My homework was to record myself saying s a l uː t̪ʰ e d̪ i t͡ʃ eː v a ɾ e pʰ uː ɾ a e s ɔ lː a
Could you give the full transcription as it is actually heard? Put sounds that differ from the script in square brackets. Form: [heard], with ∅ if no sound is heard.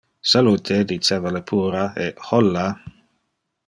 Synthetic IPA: s a l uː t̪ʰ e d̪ i t͡ʃ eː v a [l] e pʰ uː ɾ a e [h] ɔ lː a